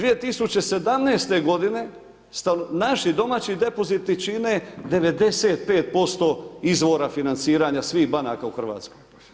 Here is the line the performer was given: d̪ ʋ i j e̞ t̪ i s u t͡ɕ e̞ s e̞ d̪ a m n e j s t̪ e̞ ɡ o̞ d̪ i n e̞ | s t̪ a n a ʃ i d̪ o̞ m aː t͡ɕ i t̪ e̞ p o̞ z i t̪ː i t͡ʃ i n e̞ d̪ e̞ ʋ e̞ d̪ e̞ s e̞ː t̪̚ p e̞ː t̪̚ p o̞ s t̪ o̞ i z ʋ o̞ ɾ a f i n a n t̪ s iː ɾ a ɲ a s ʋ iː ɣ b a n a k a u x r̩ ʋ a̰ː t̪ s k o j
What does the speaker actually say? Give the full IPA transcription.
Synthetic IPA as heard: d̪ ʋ i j e̞ t̪ i s u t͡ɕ e̞ s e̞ d̪ a m n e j s t̪ e̞ ɡ o̞ d̪ i n e̞ | s t̪ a n a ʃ i d̪ o̞ m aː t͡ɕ i d̪ e̞ p o̞ z i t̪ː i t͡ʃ i n e̞ d̪ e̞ ʋ e̞ d̪ e̞ s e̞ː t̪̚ p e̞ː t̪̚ p o̞ s t̪ o̞ i z ʋ o̞ ɾ a f i n a n t̪ s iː ɾ a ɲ a s ʋ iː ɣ b a n a k a u x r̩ ʋ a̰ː t̪ s k o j